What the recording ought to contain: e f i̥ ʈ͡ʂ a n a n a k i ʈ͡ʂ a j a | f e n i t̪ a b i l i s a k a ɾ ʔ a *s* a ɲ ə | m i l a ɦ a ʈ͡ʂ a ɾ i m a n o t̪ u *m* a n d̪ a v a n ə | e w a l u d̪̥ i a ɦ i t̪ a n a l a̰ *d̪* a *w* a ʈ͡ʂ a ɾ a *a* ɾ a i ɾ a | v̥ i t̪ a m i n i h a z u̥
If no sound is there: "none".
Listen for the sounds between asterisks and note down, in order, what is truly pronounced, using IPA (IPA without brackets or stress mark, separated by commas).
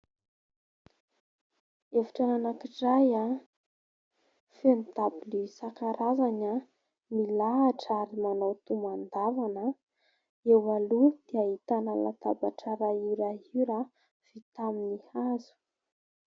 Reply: z, m, t̪, b, i